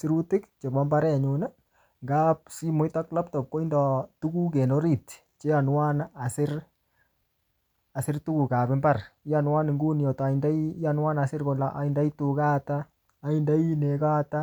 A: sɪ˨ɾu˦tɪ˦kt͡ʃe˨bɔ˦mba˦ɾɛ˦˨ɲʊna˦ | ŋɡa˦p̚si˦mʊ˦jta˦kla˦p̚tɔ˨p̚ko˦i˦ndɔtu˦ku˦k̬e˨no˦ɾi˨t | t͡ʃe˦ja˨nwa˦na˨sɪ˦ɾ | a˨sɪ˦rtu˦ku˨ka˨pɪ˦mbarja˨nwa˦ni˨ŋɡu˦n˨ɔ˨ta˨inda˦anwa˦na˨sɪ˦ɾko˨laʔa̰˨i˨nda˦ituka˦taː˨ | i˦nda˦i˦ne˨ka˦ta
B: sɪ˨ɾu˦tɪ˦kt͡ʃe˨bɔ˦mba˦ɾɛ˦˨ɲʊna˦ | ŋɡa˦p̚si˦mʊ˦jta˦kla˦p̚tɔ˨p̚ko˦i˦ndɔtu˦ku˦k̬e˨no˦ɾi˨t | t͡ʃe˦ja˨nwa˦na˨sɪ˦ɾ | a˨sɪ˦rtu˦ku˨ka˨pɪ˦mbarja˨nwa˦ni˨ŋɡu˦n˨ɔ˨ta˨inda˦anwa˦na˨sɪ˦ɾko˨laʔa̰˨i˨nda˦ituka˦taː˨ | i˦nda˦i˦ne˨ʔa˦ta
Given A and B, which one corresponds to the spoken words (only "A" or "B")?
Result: A